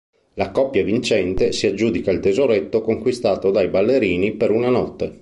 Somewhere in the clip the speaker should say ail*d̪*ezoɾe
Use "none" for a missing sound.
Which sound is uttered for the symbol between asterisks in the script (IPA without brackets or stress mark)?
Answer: t̪